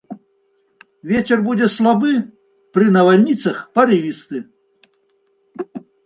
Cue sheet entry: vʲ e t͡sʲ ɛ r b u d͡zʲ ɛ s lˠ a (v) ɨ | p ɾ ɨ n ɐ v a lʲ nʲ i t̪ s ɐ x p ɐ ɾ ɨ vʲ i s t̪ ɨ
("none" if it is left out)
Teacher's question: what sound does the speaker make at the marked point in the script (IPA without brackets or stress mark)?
b